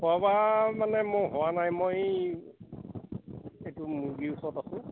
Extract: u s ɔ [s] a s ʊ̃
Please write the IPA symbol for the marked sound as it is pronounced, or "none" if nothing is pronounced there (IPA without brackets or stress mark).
t